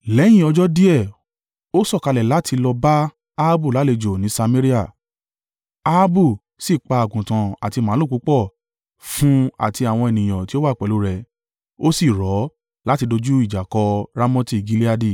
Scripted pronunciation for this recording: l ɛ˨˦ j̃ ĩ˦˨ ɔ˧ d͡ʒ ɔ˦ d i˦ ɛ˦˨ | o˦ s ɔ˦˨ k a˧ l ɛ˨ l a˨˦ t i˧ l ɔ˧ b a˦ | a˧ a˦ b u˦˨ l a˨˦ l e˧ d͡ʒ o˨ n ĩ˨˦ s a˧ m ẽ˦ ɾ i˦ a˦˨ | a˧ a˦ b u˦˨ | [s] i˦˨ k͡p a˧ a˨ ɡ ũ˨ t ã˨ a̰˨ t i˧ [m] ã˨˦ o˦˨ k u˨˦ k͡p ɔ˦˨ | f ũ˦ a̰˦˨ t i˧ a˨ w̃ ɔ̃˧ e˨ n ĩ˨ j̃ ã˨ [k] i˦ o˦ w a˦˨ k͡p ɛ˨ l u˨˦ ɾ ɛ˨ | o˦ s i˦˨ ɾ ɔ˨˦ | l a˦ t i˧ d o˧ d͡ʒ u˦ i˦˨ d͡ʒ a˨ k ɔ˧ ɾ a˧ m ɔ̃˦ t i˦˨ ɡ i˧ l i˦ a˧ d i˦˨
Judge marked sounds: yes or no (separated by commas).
yes, yes, no